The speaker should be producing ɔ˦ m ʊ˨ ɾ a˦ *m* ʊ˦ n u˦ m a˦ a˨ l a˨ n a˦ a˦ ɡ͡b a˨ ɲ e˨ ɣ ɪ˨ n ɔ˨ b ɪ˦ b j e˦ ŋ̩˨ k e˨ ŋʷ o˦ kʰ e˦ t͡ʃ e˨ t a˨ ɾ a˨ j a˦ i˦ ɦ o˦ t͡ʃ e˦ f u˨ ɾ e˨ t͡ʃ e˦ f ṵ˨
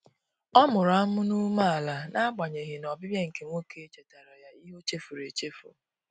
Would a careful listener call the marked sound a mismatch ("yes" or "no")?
no